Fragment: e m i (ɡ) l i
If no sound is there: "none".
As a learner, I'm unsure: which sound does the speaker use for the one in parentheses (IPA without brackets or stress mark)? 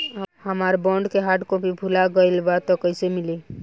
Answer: none